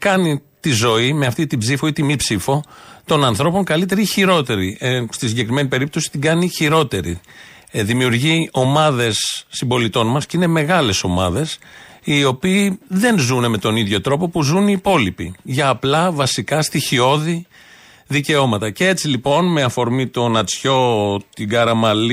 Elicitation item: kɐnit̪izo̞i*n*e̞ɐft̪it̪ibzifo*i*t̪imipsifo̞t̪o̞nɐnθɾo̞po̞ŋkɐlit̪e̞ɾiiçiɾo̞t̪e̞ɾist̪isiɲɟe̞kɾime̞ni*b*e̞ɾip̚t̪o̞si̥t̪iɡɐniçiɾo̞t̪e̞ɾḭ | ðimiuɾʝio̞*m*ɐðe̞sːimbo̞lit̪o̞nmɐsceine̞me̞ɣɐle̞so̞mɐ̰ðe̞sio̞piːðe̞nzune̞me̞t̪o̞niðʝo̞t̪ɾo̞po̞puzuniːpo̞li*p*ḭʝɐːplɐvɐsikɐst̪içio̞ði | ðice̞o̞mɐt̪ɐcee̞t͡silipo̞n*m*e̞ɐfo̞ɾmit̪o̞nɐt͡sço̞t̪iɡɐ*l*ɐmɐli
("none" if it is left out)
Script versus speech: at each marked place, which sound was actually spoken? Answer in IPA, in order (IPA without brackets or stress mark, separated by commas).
m, i, p, m, p, m, ɾ